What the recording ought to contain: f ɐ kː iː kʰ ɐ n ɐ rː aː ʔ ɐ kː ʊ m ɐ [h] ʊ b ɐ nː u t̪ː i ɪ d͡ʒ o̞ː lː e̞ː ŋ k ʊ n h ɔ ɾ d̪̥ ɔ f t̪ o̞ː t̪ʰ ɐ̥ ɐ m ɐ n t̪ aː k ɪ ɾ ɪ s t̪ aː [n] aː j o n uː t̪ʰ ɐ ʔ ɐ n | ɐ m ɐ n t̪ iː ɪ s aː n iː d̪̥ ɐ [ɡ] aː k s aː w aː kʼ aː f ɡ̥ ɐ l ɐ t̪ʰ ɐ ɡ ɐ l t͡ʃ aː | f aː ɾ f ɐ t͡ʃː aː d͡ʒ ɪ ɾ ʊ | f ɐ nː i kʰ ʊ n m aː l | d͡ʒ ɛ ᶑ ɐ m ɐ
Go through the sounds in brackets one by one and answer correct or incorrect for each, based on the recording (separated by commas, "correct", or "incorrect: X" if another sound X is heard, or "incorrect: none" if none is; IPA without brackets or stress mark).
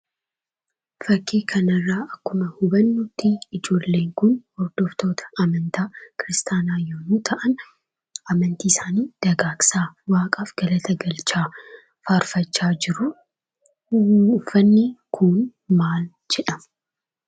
correct, correct, correct